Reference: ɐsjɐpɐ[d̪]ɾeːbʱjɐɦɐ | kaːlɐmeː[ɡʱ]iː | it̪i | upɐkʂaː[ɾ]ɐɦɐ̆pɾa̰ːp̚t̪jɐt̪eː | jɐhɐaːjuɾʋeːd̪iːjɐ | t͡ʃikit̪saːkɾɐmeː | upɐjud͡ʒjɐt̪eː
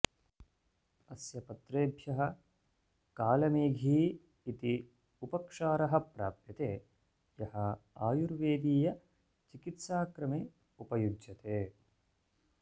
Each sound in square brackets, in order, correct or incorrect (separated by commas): incorrect, correct, correct